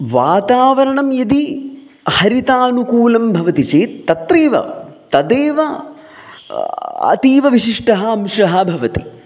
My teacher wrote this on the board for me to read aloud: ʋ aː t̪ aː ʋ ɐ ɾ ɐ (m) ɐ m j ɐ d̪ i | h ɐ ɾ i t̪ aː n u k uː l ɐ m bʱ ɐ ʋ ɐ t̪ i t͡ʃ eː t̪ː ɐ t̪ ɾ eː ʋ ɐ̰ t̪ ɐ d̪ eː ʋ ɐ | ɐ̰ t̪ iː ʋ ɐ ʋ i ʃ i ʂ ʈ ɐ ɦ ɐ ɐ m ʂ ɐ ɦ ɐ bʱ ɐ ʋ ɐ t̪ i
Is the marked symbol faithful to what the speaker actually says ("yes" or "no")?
no